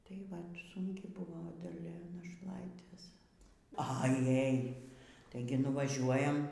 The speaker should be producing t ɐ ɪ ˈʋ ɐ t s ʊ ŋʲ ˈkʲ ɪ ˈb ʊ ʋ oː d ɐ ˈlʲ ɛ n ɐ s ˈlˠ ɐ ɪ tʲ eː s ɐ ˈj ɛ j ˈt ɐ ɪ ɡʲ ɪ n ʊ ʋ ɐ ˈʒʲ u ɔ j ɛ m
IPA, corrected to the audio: t ɐ ɪ ˈʋ ɐ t s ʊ ŋʲ ˈkʲ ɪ ˈb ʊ ʋ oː d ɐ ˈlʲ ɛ n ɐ ʃ ˈlˠ ɐ ɪ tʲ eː s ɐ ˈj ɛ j ˈt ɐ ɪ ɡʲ ɪ n ʊ ʋ ɐ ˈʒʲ u ɔ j ɛ m